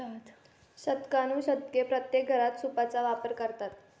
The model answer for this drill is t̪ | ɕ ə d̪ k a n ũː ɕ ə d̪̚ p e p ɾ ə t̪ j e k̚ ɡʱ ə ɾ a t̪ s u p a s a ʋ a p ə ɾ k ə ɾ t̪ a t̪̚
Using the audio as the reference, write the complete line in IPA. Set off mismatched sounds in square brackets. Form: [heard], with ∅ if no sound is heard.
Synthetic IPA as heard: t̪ | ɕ ə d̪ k a n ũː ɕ ə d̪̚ [k] e p ɾ ə t̪ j e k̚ ɡʱ ə ɾ a t̪ s u p a [t͡s] a ʋ a p ə ɾ k ə ɾ t̪ a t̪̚